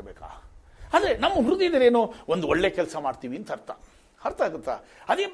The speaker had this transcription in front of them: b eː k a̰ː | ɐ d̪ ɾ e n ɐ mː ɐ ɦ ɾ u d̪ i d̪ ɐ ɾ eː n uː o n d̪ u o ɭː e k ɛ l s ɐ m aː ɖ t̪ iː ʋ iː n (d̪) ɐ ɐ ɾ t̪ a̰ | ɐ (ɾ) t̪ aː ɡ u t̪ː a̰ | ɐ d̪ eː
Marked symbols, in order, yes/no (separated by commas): no, yes